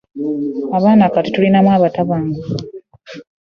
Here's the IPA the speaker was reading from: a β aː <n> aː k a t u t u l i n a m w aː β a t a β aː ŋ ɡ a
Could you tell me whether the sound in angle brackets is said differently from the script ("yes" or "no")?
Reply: no